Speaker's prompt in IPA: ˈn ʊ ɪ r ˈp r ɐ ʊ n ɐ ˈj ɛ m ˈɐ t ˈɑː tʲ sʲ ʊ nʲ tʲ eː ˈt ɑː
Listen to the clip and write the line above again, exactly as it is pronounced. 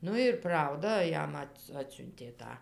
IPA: ˈn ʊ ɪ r ˈp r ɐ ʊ d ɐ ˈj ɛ m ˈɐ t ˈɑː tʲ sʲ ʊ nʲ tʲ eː ˈt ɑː